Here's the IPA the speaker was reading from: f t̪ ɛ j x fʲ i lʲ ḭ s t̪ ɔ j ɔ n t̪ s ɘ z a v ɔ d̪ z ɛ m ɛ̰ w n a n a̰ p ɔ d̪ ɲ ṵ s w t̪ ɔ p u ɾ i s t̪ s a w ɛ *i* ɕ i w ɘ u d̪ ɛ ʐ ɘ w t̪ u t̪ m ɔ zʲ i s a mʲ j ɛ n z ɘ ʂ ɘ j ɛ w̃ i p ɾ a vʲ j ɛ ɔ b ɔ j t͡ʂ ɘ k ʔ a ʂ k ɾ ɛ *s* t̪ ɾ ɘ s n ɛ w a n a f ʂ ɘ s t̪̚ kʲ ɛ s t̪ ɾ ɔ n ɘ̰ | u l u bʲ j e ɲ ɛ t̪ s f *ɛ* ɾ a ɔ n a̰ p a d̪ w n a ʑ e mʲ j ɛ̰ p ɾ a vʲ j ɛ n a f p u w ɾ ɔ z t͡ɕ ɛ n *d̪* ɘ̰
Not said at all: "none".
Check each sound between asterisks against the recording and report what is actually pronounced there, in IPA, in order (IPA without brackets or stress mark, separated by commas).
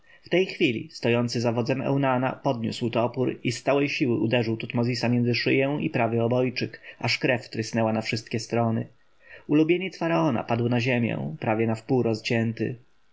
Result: j, f, a, t̪